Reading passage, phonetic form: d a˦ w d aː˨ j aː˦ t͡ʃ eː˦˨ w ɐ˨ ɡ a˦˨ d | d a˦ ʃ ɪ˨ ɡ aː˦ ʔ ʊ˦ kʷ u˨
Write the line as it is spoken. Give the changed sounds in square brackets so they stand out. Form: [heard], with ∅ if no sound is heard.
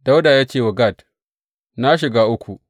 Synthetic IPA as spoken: d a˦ w d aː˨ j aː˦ t͡ʃ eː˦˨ w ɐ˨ ɡ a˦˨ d | [n] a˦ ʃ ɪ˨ ɡ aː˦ ʔ ʊ˦ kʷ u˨